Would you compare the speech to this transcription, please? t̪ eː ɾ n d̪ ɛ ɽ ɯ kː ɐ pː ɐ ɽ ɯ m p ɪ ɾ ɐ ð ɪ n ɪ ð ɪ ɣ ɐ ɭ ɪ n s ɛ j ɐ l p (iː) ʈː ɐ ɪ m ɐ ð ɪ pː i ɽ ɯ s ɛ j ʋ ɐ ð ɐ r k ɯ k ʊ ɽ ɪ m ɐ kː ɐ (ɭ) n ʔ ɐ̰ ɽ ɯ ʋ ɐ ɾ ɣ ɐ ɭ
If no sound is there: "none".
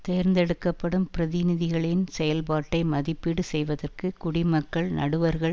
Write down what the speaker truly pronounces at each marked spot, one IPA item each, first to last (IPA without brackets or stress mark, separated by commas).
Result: aː, ɭ